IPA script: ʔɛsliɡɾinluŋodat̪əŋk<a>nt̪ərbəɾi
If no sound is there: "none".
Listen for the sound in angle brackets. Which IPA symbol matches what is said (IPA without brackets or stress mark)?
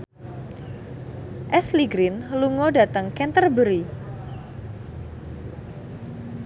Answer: ɛ